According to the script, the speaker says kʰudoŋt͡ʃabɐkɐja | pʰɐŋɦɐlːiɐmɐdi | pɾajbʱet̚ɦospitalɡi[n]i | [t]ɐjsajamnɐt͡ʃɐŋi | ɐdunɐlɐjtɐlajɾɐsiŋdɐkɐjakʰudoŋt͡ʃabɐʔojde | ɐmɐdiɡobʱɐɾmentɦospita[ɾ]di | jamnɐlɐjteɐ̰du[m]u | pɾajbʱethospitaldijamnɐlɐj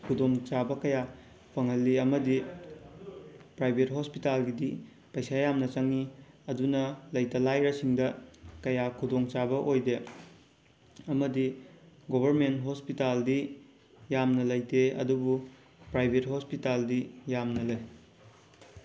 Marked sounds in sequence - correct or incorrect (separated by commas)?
incorrect, incorrect, incorrect, incorrect